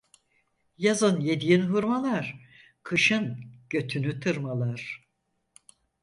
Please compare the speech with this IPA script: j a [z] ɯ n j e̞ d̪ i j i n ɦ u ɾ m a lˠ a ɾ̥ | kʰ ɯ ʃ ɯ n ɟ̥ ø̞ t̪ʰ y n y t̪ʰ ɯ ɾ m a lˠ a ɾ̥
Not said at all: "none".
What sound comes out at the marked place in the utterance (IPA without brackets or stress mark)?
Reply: z